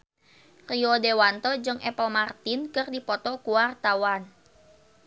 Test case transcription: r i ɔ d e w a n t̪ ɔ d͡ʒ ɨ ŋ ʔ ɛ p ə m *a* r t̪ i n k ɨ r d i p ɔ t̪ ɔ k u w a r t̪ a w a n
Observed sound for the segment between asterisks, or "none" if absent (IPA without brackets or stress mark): a